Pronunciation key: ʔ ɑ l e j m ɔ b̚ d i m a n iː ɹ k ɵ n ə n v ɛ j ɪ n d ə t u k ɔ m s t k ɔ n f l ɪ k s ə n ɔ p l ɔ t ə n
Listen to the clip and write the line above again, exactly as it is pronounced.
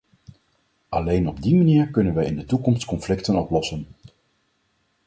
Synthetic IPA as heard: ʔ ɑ l e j n ɔ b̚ d i m a n iː ɹ k ɵ n ə n ʋ ɛ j ɪ n d ə t u k ɔ m s t k ɔ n f l ɪ k t ə n ɔ p l ɔ s ə n